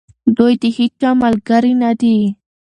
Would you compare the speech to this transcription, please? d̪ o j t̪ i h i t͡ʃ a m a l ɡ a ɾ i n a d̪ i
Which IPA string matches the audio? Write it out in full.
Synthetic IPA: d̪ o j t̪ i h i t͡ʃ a m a l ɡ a ɾ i n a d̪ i